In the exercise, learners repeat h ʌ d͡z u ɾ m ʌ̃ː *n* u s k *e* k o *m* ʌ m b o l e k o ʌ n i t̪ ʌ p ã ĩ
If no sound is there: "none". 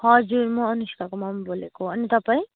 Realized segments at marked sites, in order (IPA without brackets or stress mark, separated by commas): n, a, m